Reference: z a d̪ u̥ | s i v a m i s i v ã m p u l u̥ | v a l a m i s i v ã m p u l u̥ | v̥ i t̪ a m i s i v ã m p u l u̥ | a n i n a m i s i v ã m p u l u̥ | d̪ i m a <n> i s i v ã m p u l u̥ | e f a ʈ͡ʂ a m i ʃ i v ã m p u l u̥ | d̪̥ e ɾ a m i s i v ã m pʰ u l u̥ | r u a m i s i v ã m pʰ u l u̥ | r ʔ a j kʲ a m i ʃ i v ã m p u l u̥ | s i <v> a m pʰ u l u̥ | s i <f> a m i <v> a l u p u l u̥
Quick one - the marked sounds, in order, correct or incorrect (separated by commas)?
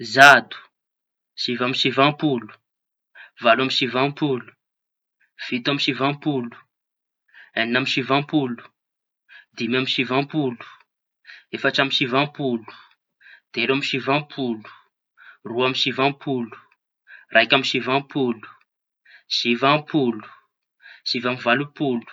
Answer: incorrect, correct, incorrect, correct